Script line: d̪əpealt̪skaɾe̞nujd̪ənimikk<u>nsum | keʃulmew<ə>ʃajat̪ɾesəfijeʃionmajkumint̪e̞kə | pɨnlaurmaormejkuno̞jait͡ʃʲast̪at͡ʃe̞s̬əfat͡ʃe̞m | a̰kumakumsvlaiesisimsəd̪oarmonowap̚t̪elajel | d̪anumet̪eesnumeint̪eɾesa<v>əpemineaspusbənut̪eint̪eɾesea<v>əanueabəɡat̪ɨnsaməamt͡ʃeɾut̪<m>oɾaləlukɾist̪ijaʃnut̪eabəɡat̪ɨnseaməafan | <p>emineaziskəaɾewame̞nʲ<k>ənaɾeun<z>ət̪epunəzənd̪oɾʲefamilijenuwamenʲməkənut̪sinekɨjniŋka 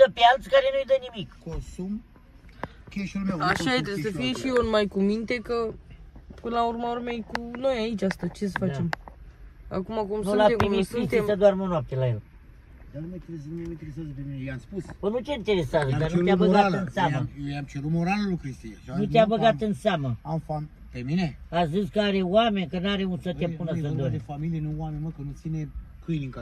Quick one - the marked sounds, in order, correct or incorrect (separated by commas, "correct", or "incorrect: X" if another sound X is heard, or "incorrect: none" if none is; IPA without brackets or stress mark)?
incorrect: o, incorrect: a, incorrect: z, incorrect: z, correct, correct, correct, incorrect: s